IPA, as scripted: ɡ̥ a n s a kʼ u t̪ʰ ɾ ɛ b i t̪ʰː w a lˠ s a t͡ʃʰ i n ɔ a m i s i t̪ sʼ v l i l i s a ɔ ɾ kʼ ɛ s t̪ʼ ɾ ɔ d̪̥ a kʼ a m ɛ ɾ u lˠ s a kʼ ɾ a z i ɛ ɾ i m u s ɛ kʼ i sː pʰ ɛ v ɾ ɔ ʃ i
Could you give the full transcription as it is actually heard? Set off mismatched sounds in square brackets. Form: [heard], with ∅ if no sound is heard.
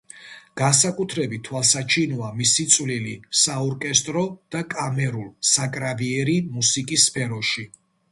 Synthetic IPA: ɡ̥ a n s a kʼ u t̪ʰ ɾ ɛ b i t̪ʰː w a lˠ s a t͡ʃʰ i n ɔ a m i s i t̪ sʼ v l i l i s a ɔ ɾ kʼ ɛ s t̪ʼ ɾ ɔ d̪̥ a kʼ a m ɛ ɾ u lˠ s a kʼ ɾ a [v] i ɛ ɾ i m u s [i] kʼ i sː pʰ ɛ [∅] ɾ ɔ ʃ i